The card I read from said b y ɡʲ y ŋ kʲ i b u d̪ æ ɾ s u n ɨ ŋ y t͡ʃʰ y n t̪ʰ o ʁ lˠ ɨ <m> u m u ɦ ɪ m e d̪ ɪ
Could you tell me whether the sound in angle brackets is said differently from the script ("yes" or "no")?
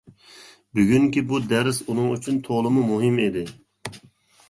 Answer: no